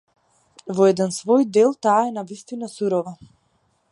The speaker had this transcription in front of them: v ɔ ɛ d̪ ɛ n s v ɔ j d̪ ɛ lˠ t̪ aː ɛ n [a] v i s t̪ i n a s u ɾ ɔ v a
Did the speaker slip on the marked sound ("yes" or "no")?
no